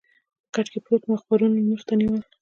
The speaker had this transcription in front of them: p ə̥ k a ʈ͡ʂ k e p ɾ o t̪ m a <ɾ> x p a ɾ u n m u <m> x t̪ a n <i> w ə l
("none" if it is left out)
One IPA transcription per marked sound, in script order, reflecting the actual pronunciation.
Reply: none, none, i

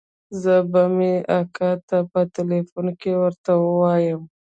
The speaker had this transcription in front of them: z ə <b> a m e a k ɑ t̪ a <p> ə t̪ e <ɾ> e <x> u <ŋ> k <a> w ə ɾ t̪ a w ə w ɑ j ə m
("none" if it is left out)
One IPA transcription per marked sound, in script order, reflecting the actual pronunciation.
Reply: b, p, l, f, n, e

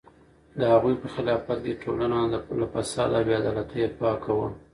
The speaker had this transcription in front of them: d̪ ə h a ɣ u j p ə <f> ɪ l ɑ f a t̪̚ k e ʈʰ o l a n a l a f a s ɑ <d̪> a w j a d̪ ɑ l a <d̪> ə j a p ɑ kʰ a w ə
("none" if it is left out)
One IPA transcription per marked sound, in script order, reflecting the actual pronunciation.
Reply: x, d̪, t̪

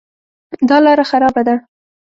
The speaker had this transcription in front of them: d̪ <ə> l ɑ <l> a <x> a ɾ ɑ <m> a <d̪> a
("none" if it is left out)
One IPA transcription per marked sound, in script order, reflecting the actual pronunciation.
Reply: ɑ, ɾ, x, b, d̪

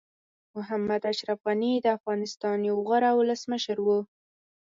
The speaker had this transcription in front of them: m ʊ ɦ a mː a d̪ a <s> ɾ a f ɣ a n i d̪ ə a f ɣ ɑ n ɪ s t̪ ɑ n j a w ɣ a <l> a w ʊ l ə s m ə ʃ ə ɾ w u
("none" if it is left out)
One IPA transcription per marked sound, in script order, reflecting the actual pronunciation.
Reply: ʃ, ɾ

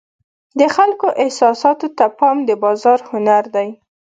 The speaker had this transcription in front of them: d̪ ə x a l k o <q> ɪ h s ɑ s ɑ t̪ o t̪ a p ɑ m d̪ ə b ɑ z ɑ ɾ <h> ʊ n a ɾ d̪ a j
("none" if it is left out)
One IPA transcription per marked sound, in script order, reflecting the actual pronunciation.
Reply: ʔ, h

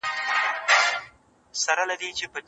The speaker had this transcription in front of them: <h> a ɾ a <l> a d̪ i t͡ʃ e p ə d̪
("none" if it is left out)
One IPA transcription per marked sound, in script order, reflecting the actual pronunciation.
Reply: s, l

